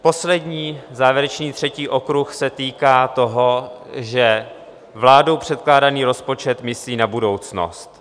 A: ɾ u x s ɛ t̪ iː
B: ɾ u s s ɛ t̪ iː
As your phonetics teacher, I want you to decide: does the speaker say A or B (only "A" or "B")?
A